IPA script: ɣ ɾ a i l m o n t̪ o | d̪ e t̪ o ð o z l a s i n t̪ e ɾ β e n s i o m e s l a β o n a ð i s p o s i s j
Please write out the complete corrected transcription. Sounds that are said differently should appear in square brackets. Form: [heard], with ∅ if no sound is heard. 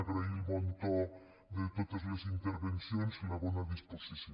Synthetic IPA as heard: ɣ ɾ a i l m o n t̪ o | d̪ e t̪ o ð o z l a s i n t̪ e ɾ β e n s [j] o [n] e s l a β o n a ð i s p o s i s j

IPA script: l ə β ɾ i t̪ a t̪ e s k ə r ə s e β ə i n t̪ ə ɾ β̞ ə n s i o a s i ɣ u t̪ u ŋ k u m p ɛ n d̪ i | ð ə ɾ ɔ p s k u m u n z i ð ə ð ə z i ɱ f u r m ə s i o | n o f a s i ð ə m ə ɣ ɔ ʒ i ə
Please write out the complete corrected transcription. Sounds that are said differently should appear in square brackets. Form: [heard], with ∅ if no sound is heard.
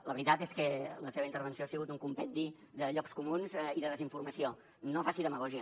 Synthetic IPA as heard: l ə β ɾ i t̪ a t̪ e s k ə [l] ə s e β ə i n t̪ ə ɾ β̞ ə n s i o a s i ɣ u t̪ u ŋ k u m p ɛ n d̪ i | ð ə [ʎ] ɔ [k] s k u m u n z i ð ə ð ə z i ɱ f u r m ə s i o | n o f a s i ð ə m ə ɣ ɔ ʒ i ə

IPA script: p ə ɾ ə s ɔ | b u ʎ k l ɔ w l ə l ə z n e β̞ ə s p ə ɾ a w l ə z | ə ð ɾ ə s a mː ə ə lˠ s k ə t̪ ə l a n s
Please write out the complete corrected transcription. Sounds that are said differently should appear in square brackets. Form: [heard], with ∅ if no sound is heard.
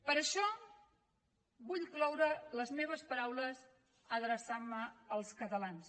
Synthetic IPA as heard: p ə ɾ ə [ʃ] ɔ | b u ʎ k l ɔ w [ɾ] ə l ə z [m] e β̞ ə s p ə ɾ a w l ə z | ə ð ɾ ə s a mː ə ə lˠ s k ə t̪ ə l a n s

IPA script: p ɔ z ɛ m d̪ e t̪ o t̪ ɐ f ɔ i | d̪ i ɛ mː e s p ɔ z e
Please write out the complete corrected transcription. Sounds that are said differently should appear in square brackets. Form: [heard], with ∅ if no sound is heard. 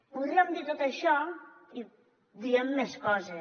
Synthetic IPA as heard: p [u] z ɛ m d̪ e t̪ o t̪ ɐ [ʃ] ɔ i | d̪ i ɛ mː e s [k] ɔ z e

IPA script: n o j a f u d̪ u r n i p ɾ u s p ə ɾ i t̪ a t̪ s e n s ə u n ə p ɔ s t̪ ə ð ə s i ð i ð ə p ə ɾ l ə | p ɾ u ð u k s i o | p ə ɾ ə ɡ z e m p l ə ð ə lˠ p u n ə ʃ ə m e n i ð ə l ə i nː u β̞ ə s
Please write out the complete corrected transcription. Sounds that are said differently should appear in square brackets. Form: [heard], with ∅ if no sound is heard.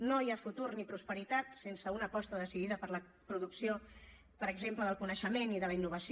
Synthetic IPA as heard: n o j a f u [t̪] u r n i p ɾ u s p ə ɾ i t̪ a t̪ s e n s ə u n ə p ɔ s t̪ ə ð ə s i ð i ð ə p ə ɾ l ə | p ɾ u ð u k s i o | p ə ɾ ə ɡ z e m p l ə ð ə lˠ [k] u n ə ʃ ə m e n i ð ə l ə i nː u β̞ ə s

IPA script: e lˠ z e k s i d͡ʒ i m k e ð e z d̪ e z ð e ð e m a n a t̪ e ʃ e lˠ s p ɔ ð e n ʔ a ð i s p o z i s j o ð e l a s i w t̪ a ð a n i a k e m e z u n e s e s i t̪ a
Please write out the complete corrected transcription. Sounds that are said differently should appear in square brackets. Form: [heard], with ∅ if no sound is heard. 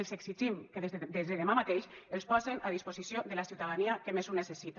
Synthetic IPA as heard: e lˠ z e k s i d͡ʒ i m k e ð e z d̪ e z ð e ð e m a [m] a t̪ e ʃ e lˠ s p ɔ [z] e n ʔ a ð i s p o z i s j o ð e l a s i w t̪ a ð a n i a k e m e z u n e s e s i t̪ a

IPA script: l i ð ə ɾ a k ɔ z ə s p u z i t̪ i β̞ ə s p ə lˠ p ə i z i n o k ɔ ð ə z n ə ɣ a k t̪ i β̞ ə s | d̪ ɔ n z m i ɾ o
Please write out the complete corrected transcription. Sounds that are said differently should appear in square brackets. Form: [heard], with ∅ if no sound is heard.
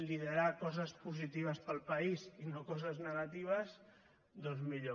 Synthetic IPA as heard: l i ð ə ɾ a k ɔ z ə s p u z i t̪ i β̞ ə s p ə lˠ p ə i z i n o k ɔ [z] ə z n ə ɣ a [∅] t̪ i β̞ ə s | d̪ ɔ n z m i [ʎ] o

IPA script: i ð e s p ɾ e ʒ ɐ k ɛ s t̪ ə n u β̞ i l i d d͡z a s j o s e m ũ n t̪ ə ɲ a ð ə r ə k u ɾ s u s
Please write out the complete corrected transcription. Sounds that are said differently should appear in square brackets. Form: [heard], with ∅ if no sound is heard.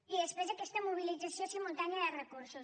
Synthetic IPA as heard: i ð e s p ɾ e [z] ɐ k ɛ s t̪ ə [m] u β̞ i l i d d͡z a s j o s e m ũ n t̪ [a] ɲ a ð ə r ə k u ɾ s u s

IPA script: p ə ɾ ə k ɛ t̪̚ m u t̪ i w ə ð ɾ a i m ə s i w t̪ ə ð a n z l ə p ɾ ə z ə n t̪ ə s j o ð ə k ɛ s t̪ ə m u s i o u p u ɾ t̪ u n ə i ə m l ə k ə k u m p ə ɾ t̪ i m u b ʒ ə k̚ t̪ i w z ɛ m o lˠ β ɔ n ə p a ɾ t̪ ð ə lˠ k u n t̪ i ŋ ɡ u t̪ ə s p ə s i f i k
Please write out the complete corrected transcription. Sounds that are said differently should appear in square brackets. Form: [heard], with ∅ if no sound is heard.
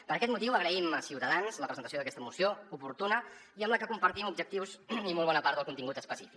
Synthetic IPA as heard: p ə ɾ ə k ɛ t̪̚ m u t̪ i w ə [ɣ] ɾ [ə] i m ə s i w t̪ ə ð a n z l ə p ɾ ə z ə n t̪ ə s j o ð ə k ɛ s t̪ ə m u s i o u p u ɾ t̪ u n ə i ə m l ə k ə k u m p ə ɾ t̪ i m u b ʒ ə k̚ t̪ i w z [i] m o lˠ β ɔ n ə p a ɾ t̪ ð ə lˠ k u n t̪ i ŋ ɡ u t̪ ə s p ə s i f i k

